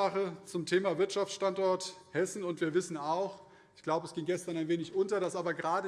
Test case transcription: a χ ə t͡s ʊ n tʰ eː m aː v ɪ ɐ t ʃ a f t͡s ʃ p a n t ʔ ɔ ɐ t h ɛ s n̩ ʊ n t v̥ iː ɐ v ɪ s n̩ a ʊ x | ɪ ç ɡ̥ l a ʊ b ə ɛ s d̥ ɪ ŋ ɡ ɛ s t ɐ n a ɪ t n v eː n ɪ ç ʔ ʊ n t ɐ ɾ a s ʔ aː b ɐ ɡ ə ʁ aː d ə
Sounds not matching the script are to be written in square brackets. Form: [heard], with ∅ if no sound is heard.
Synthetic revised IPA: a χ ə t͡s ʊ [m] tʰ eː m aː v ɪ ɐ t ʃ a f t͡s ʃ [t] a n t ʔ ɔ ɐ t h ɛ s n̩ ʊ n t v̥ iː ɐ v ɪ s n̩ a ʊ x | ɪ ç ɡ̥ l a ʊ b ə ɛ s [ɡ̥] ɪ ŋ ɡ ɛ s t ɐ n a ɪ [∅] n v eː n ɪ ç ʔ ʊ n t ɐ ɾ a s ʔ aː b ɐ ɡ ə ʁ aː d ə